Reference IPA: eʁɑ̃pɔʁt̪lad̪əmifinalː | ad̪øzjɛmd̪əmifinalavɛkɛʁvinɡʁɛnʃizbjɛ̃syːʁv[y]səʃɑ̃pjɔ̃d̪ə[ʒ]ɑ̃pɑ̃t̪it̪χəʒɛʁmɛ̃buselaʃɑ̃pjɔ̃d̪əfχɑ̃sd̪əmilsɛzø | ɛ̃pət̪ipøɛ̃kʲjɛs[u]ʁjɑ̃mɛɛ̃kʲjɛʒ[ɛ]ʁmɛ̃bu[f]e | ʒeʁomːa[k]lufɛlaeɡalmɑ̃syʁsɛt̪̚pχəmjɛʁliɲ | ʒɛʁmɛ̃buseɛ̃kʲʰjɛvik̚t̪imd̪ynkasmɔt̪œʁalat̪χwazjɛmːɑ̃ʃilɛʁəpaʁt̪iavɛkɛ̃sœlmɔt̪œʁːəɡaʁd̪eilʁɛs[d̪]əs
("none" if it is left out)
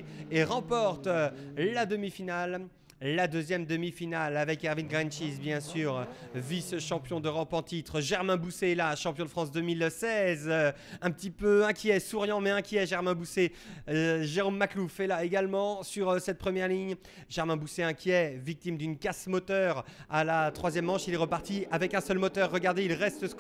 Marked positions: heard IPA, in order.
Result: i, ʁ, u, ɛ, s, k, t̪

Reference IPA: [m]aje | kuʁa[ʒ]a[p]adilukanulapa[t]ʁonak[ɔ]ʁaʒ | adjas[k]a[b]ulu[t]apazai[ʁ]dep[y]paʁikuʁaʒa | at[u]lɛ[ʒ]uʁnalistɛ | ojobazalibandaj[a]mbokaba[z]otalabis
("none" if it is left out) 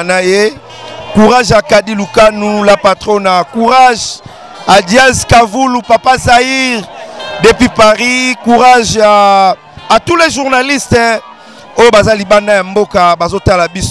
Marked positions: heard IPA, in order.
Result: n, ʒ, k, t, u, k, v, p, ʁ, i, u, ʒ, a, z

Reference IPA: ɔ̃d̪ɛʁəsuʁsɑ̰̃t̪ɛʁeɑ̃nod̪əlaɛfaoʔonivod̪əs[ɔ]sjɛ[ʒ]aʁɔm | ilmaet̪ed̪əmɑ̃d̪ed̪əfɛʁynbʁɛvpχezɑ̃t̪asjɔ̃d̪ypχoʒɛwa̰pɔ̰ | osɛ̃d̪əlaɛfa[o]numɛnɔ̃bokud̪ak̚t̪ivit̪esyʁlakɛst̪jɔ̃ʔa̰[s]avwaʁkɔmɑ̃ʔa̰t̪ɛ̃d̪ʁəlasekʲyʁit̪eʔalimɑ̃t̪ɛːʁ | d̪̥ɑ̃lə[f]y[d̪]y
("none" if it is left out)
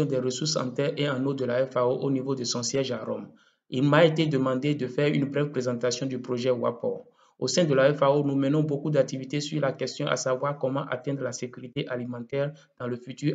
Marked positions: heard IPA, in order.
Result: ɔ̃, ʒ, o, s, f, t̪

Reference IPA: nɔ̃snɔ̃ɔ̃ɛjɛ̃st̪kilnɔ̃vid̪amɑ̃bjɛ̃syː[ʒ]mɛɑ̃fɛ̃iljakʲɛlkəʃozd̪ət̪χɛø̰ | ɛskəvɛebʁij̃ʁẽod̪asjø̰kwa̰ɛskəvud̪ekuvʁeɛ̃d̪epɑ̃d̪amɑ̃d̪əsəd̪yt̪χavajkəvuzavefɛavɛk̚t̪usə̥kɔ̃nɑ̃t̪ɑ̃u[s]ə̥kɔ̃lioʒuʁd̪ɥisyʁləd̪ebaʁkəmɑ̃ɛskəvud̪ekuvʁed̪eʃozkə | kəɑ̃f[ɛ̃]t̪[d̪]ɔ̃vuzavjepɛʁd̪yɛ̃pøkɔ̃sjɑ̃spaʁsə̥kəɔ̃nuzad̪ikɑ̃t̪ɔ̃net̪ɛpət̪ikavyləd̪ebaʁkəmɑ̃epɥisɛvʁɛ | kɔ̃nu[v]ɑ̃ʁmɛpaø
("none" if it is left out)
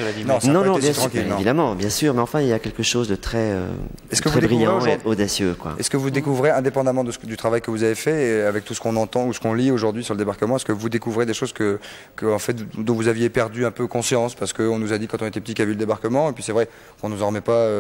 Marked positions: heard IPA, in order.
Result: ʁ, s, ɛ, d̪, z

